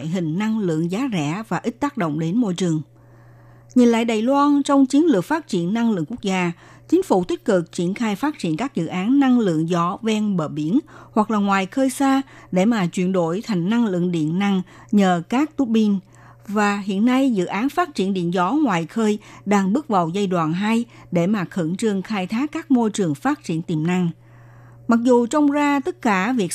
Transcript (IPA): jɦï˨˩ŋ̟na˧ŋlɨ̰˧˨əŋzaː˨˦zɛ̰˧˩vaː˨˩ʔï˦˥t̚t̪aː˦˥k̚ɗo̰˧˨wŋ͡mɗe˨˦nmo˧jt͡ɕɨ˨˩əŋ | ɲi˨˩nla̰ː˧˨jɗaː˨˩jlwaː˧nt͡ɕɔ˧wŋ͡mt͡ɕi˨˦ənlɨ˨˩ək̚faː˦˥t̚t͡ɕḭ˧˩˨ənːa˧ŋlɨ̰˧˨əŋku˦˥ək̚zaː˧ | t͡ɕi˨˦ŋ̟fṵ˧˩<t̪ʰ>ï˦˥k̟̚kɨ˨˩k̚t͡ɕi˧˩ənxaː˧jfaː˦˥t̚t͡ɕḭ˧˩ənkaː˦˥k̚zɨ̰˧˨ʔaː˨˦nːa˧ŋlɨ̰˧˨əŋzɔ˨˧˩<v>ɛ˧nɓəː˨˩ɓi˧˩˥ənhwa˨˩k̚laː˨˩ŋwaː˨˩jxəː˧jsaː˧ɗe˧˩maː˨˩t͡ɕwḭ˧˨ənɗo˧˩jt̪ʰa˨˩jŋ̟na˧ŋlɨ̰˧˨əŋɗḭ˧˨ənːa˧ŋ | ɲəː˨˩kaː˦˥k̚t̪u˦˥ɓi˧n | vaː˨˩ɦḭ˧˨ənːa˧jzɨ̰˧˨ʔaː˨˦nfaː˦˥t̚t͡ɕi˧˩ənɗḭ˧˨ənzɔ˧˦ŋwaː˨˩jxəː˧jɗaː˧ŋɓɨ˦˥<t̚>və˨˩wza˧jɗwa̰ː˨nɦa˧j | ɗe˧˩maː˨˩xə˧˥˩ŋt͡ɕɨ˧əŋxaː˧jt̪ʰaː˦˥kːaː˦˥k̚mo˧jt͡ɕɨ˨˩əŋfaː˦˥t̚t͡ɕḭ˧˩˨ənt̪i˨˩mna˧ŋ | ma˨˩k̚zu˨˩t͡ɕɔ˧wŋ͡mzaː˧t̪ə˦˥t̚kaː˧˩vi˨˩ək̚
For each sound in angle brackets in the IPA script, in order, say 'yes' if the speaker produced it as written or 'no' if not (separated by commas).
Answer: no, yes, no